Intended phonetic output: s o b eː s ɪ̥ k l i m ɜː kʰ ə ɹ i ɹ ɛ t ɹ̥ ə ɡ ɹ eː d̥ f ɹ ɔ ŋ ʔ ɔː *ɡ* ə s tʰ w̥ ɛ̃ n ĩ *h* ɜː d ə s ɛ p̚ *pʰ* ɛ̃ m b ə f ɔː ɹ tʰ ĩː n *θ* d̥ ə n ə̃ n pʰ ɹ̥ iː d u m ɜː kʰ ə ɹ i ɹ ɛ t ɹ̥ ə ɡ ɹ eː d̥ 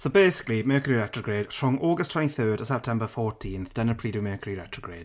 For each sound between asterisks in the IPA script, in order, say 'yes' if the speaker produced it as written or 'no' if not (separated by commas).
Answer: yes, no, no, yes